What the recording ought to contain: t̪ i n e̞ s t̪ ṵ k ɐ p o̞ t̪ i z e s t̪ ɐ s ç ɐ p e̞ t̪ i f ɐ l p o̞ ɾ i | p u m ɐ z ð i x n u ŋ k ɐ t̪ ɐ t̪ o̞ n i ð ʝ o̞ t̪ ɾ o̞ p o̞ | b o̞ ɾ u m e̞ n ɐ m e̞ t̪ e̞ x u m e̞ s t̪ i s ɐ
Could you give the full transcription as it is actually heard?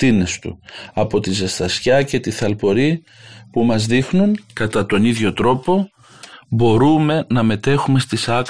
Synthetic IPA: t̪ i n e̞ s t̪ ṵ ɐ p o̞ t̪ i z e s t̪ ɐ s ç ɐ c e̞ t̪ i θ ɐ l p o̞ ɾ i | p u m ɐ z ð i x n u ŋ k ɐ t̪ ɐ t̪ o̞ n i ð ʝ o̞ t̪ ɾ o̞ p o̞ | b o̞ ɾ u m e̞ n ɐ m e̞ t̪ e̞ x u m e̞ s t̪ i s ɐ